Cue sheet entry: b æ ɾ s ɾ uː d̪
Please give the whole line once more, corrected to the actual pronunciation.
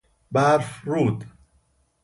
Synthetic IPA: b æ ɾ f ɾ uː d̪